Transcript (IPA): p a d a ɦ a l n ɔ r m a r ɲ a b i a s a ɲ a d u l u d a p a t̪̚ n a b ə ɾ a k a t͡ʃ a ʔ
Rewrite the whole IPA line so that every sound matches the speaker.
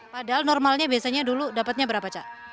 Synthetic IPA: p a d a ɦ a l n ɔ r m a l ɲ a b i a s a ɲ a d u l u d a p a t̪̚ ɲ a b ə ɾ a p a t͡ʃ a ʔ